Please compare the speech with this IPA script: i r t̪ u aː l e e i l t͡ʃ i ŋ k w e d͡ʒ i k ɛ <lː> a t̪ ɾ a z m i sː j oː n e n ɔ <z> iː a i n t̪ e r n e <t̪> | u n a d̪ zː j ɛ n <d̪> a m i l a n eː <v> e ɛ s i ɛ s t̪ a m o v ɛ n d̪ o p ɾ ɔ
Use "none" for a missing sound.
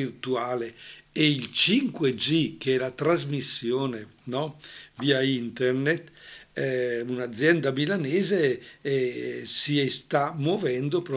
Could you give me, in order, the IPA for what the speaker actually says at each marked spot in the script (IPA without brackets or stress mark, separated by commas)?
l, v, t̪, d̪, z